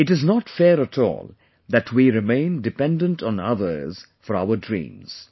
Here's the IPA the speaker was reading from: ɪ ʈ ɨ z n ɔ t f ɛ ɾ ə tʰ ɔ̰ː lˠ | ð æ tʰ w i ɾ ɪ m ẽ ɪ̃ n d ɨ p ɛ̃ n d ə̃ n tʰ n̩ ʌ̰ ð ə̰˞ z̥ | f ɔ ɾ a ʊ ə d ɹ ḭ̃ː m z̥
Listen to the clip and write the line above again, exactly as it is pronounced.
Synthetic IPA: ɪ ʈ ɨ z n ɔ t f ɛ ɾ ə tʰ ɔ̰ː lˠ | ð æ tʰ w i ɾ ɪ m ẽ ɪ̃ n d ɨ p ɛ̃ n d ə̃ n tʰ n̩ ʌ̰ ð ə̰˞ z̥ | f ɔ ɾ a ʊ ə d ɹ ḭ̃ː m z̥